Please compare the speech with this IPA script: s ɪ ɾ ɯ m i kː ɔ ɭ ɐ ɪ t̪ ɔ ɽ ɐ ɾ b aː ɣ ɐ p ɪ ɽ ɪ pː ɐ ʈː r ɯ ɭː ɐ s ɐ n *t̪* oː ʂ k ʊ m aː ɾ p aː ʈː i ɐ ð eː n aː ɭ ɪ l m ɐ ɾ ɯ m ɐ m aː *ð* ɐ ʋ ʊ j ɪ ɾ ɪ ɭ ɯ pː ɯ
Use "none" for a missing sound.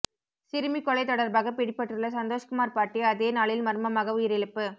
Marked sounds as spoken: d̪, ɣ

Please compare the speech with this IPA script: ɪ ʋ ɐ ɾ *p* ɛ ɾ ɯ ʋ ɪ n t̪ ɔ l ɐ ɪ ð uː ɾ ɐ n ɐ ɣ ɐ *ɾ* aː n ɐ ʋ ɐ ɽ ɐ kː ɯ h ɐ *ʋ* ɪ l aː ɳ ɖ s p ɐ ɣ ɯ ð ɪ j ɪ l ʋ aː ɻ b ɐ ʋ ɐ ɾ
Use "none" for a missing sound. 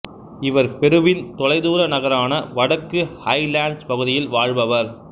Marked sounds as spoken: p, ɾ, none

